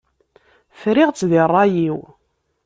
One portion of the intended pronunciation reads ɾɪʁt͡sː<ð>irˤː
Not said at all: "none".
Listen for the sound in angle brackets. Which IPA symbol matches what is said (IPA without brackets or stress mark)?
ð